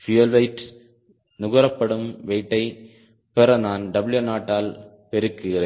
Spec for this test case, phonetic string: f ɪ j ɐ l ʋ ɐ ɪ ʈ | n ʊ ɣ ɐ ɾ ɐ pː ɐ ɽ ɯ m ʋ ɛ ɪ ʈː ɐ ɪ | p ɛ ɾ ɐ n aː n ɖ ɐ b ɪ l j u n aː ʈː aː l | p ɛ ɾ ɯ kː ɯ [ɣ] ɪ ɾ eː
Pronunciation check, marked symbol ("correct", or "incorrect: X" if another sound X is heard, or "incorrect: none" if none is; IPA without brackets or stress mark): correct